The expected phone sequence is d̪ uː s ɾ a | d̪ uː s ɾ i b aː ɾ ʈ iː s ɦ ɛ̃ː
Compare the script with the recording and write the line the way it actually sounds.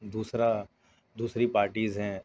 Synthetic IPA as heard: d̪ uː s ɾ a | d̪ uː s ɾ i p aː ɾ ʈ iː z ɦ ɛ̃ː